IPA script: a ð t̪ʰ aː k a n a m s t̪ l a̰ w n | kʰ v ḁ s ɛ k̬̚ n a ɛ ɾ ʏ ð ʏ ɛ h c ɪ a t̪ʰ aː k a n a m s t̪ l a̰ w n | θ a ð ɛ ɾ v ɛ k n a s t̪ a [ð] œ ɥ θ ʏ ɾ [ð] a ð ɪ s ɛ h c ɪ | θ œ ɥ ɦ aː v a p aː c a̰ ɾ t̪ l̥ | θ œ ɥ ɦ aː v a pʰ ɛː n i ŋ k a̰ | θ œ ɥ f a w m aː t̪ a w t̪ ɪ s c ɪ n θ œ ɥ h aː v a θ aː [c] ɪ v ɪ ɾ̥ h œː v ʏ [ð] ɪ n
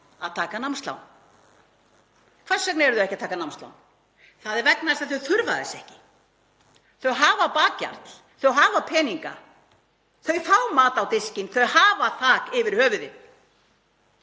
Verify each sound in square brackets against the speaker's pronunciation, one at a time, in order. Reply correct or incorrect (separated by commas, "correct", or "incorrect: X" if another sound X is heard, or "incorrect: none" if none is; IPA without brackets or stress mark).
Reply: incorrect: θ, incorrect: v, incorrect: k, correct